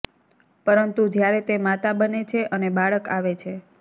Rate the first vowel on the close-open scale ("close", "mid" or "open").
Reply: mid